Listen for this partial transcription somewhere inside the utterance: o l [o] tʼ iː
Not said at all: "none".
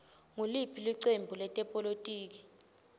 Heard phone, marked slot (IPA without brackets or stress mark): o